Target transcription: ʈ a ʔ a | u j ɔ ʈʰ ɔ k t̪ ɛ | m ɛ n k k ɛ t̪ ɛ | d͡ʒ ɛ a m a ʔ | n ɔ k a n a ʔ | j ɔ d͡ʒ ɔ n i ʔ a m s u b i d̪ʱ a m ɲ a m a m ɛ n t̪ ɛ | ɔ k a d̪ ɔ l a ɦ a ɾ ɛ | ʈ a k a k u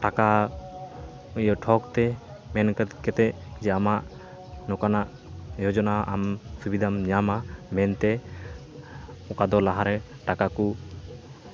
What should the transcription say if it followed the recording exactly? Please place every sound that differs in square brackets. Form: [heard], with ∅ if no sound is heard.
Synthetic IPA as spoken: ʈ a [k] a | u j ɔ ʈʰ ɔ k t̪ ɛ | m ɛ n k k ɛ t̪ ɛ | d͡ʒ ɛ a m a ʔ | n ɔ k a n a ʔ | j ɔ d͡ʒ ɔ n [a] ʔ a m s u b i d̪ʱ a m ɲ a m a m ɛ n t̪ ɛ | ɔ k a d̪ ɔ l a ɦ a ɾ ɛ | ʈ a k a k u